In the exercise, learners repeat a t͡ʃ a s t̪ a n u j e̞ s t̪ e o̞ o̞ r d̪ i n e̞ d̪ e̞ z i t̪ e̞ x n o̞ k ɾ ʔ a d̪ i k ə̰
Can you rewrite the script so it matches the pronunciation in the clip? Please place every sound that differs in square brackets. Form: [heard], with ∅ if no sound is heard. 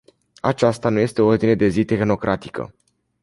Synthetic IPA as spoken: a t͡ʃ a s t̪ a n u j e̞ s t̪ e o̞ o̞ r d̪ i n e̞ d̪ e̞ z i t̪ e̞ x n o̞ k ɾ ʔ a [t̪] i k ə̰